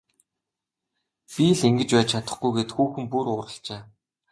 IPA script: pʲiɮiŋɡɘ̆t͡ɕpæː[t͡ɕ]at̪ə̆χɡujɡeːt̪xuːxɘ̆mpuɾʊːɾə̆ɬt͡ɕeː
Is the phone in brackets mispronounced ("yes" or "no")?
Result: yes